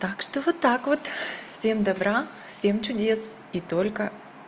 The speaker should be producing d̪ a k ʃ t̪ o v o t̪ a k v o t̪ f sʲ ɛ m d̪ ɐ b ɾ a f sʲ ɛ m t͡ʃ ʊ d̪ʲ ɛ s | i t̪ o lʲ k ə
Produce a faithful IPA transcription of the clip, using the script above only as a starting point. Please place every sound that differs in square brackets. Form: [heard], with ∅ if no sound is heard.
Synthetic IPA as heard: [t̪] a k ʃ t̪ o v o t̪ a k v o t̪ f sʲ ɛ m d̪ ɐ b ɾ a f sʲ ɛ m t͡ʃ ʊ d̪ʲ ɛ s | i t̪ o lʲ k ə